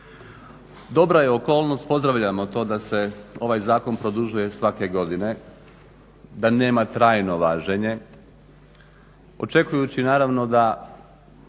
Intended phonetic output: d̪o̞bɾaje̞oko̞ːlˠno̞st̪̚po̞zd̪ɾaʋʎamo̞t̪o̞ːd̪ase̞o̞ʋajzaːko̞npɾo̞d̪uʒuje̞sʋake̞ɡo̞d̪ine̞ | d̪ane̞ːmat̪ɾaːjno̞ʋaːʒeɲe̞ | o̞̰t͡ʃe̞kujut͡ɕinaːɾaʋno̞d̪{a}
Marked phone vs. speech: correct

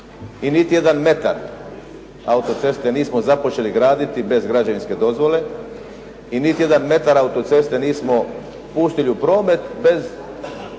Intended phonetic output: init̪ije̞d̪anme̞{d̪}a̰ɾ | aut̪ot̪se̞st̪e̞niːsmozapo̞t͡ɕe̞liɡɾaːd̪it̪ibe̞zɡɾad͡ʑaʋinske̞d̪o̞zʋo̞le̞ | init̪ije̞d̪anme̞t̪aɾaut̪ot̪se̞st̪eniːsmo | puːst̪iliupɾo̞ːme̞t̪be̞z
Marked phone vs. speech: incorrect: t̪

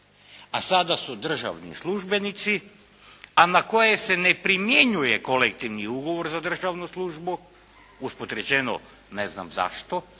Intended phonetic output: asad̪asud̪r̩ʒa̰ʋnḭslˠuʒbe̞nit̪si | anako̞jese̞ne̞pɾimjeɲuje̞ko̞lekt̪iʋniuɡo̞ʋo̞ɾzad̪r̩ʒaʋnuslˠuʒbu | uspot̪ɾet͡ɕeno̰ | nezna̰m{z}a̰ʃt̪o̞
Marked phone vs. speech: correct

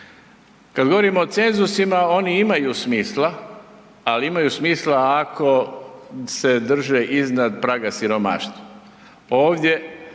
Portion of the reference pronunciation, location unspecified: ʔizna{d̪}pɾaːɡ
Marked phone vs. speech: correct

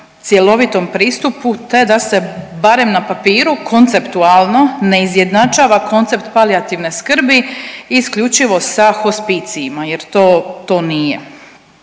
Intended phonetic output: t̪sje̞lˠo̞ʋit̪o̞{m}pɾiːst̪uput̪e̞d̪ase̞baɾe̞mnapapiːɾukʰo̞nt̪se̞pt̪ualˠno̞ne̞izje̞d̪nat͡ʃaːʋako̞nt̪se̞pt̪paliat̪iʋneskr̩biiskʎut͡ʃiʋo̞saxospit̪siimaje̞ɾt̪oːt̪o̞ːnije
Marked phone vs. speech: correct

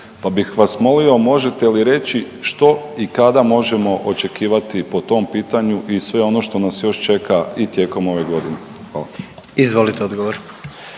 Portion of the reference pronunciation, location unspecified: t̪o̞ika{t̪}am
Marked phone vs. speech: incorrect: d̪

